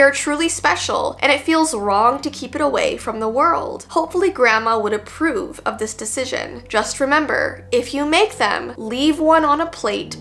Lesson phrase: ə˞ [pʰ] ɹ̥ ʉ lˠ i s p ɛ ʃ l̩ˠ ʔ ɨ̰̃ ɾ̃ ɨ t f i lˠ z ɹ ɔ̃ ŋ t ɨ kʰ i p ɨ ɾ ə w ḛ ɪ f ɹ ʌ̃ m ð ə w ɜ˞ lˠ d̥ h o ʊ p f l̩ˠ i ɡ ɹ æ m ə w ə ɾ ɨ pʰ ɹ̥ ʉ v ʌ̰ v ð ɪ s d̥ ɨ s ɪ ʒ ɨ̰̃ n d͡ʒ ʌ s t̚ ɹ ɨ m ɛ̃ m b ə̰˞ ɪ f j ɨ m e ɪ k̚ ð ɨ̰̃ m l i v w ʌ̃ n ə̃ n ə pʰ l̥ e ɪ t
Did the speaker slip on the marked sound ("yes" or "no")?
yes